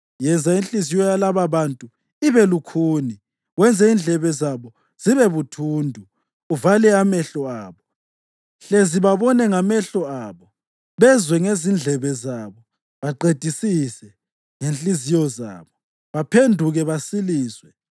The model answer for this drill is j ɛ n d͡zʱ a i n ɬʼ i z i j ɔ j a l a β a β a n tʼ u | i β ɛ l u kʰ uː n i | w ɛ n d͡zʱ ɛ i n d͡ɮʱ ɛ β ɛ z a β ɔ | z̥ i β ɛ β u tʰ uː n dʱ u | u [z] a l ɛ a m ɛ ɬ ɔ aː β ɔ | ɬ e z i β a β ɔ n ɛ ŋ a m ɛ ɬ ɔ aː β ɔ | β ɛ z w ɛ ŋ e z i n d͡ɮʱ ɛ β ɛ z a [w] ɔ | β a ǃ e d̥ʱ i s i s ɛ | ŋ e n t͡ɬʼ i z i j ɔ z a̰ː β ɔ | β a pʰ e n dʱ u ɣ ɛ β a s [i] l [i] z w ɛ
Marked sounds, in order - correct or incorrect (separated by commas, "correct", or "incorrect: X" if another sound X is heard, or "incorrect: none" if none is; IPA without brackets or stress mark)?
incorrect: v, incorrect: β, correct, incorrect: iː